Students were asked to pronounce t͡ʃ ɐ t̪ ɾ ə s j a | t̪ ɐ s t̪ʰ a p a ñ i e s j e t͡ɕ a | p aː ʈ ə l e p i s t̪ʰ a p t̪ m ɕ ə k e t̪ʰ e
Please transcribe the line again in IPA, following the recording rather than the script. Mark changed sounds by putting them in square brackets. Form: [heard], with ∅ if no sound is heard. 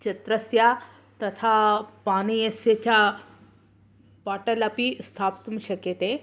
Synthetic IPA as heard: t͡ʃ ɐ t̪ ɾ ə s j a | t̪ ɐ [∅] t̪ʰ a p a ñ i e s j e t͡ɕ a | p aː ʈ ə l [a] p i s t̪ʰ a p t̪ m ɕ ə k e [t̪] e